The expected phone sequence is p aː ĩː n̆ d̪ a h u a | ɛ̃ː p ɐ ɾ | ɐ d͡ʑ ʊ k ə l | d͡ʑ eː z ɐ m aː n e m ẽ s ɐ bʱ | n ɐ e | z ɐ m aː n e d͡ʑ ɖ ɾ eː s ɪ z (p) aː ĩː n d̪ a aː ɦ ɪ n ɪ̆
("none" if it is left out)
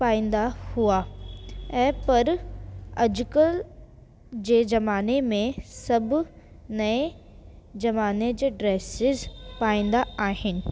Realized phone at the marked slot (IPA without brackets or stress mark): p